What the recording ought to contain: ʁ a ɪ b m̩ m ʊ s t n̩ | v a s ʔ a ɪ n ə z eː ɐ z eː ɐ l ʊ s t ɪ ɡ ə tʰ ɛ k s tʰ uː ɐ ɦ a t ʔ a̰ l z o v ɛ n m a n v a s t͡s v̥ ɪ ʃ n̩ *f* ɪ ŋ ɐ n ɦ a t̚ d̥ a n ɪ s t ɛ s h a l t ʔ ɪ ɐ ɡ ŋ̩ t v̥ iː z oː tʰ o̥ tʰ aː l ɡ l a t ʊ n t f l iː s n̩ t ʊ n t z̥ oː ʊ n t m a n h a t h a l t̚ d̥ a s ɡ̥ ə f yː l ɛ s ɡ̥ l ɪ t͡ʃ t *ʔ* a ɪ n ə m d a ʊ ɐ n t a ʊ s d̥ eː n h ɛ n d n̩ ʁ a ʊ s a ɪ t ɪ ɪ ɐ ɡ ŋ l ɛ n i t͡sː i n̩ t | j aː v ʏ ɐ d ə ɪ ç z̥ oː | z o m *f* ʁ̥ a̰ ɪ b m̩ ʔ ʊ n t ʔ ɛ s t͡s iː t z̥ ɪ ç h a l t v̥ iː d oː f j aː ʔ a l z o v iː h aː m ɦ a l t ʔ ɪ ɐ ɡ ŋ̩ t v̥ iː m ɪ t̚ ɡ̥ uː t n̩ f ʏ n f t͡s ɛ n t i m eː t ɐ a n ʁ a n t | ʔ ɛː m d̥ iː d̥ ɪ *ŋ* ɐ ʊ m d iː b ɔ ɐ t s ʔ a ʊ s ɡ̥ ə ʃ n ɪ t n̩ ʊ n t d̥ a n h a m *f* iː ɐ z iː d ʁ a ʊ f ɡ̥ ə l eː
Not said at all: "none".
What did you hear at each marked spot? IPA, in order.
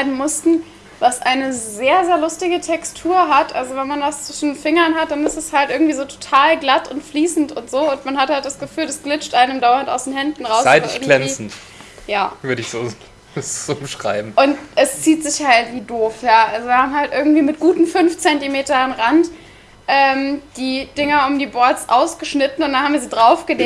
f, ʔ, ʃ, ŋ, v

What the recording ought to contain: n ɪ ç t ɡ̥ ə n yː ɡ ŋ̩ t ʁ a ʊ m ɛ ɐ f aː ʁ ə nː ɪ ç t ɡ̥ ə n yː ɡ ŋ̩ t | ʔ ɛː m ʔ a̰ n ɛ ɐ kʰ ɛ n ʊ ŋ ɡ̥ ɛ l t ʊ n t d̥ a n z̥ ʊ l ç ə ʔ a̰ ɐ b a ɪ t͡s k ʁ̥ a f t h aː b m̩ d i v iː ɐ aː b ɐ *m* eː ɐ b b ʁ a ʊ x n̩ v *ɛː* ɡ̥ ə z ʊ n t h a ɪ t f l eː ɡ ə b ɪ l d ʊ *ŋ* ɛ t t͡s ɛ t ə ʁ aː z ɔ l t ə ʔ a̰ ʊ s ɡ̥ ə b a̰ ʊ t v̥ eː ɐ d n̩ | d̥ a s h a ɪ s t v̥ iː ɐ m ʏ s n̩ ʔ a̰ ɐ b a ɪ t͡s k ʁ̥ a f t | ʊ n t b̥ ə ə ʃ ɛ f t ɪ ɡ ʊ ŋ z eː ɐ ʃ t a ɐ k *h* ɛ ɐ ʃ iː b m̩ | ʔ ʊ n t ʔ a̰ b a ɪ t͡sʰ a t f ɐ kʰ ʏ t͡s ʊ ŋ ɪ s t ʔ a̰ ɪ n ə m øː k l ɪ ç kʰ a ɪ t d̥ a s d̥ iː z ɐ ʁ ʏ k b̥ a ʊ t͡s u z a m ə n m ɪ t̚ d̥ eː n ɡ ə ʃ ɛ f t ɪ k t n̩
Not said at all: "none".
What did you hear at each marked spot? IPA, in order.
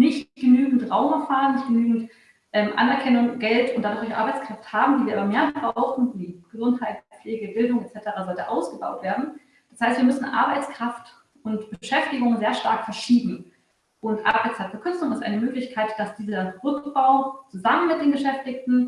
m, iː, ŋ, f

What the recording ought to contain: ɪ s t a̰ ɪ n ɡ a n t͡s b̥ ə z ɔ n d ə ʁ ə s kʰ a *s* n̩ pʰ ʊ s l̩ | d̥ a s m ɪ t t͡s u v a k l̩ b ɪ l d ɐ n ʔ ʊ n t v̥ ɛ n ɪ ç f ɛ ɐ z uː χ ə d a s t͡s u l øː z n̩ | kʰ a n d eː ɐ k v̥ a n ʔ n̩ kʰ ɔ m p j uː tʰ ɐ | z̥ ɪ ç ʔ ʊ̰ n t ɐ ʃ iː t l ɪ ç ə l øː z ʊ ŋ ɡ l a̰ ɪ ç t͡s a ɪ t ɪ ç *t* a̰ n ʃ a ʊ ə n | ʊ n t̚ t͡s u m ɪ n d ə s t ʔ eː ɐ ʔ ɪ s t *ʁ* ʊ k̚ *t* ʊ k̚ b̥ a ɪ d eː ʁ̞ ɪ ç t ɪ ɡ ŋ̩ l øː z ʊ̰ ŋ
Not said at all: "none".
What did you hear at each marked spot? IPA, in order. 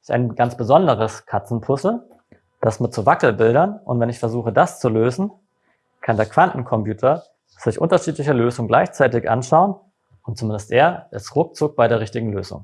t͡s, ʔ, ʁ, t͡s

